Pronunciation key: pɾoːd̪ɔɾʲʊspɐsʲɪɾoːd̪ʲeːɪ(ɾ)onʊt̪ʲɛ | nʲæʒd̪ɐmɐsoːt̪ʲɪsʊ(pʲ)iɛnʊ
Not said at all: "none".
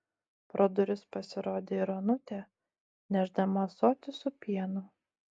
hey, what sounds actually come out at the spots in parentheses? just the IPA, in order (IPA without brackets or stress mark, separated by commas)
ɾ, pʲ